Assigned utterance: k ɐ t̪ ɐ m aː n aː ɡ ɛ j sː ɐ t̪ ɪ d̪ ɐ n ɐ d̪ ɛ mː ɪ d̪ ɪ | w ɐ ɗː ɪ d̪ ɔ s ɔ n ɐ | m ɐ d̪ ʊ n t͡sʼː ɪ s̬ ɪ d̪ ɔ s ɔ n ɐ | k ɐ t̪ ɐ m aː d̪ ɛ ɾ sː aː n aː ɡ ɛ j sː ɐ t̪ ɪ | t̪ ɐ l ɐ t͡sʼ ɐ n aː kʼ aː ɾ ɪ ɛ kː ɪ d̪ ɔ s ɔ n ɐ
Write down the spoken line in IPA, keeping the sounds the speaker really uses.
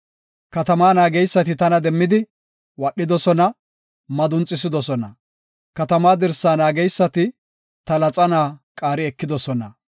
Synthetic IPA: k ɐ t̪ ɐ m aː n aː ɡ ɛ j sː ɐ t̪ ɪ t̪ ɐ n ɐ d̪ ɛ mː ɪ d̪ ɪ | w ɐ ɗː ɪ d̪ ɔ s ɔ n ɐ | m ɐ d̪ ʊ n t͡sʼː ɪ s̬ ɪ d̪ ɔ s ɔ n ɐ | k ɐ t̪ ɐ m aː d̪ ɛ ɾ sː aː n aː ɡ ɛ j sː ɐ t̪ ɪ | t̪ ɐ l ɐ t͡sʼ ɐ n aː kʼ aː ɾ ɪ ɛ kː ɪ d̪ ɔ s ɔ n ɐ